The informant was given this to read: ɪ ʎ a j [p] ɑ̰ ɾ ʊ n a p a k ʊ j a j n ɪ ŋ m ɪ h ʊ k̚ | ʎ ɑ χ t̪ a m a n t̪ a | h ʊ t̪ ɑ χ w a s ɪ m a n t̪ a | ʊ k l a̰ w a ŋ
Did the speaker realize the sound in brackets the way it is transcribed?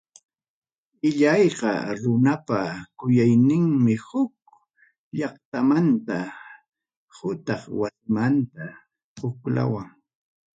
no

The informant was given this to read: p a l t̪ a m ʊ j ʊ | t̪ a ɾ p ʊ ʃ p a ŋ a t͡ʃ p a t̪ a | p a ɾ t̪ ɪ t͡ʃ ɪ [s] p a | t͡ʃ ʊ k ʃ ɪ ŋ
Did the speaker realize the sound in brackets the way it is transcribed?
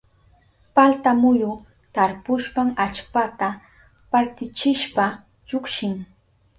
no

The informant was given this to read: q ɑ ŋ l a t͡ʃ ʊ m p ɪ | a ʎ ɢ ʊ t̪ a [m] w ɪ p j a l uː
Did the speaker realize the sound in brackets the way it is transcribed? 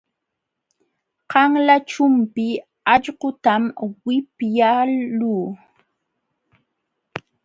yes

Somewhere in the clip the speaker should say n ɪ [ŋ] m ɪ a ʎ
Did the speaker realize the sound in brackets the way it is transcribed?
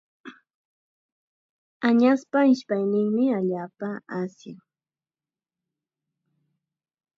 yes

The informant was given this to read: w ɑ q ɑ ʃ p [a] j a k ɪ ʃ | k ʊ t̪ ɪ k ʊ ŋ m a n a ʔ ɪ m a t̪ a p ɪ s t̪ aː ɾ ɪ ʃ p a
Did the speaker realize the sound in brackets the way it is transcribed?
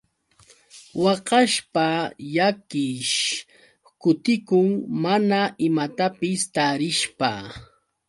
yes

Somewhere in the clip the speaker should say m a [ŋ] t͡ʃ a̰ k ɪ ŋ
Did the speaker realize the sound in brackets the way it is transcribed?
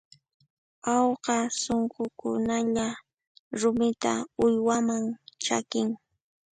yes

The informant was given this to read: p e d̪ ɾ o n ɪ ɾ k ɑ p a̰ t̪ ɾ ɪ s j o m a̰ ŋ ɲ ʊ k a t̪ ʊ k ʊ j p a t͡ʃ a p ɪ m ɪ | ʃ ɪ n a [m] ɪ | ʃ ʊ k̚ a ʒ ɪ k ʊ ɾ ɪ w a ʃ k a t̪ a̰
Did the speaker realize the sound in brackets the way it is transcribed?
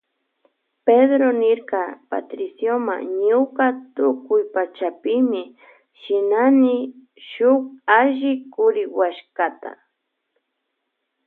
no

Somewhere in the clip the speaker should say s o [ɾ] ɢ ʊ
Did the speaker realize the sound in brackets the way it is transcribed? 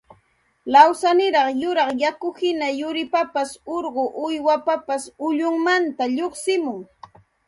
yes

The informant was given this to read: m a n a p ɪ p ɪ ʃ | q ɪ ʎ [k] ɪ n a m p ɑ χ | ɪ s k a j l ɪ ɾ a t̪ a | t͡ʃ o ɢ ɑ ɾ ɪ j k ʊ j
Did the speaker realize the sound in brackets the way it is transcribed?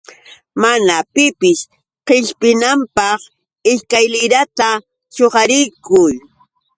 no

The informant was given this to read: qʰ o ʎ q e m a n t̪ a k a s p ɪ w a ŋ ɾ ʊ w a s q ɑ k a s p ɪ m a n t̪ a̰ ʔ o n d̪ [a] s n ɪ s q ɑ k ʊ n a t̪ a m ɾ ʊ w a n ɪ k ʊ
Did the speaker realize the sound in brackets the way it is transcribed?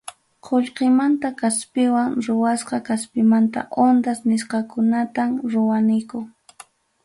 yes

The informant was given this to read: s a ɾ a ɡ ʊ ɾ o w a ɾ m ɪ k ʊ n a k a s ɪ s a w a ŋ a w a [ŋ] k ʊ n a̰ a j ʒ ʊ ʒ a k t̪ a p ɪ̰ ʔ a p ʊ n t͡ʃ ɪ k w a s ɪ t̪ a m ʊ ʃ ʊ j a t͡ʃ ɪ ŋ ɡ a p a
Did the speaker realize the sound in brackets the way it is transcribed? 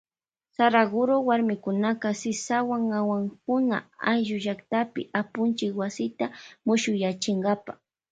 yes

